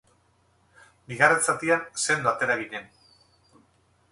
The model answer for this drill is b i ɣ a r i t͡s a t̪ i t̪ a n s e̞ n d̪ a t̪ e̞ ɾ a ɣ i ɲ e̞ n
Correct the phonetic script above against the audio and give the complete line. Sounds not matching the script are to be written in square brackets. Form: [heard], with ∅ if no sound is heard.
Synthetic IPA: b i ɣ a r [e] t͡s a t̪ i [∅] a n s e̞ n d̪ a t̪ e̞ ɾ a ɣ i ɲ e̞ n